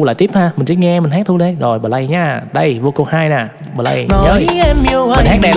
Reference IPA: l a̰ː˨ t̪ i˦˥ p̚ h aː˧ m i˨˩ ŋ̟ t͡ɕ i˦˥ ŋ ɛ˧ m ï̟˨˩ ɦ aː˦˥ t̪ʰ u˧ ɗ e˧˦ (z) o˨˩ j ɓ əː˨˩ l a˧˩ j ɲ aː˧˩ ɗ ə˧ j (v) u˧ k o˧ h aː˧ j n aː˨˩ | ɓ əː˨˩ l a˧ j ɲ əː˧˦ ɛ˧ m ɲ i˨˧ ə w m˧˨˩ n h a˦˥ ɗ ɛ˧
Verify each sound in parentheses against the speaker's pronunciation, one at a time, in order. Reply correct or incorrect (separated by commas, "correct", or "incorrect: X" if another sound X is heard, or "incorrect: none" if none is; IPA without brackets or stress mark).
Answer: correct, correct